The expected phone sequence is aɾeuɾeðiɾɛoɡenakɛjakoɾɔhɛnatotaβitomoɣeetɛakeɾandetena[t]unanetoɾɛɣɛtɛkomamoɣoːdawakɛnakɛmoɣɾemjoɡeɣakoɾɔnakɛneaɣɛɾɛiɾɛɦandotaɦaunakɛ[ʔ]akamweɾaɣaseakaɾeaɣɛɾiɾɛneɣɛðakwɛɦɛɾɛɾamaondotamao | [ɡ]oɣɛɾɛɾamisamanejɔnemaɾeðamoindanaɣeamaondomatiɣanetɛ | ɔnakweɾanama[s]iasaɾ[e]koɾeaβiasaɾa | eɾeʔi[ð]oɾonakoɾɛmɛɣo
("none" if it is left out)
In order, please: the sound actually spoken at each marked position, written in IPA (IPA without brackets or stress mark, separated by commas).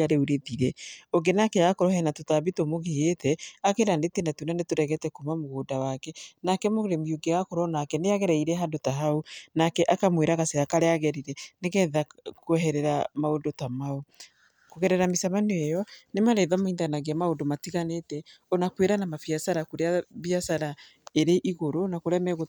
t, ʔ, k, f, a, ɣ